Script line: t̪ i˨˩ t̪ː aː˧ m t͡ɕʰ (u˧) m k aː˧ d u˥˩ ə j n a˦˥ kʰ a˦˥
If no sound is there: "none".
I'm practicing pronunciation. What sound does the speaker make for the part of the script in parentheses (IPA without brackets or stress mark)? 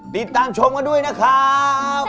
o˧